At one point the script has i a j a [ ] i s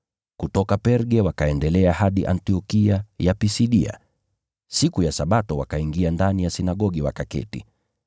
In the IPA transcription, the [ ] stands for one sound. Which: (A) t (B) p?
B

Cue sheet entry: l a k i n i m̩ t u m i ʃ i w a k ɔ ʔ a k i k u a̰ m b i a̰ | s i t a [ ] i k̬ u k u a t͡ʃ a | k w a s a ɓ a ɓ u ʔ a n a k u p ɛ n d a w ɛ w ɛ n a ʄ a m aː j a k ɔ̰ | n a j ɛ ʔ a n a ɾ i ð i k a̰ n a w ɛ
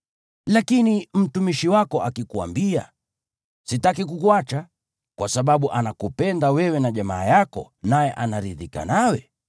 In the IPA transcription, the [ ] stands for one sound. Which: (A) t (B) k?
B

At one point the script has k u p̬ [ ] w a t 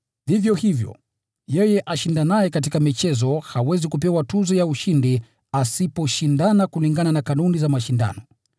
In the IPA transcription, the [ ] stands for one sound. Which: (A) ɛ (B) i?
A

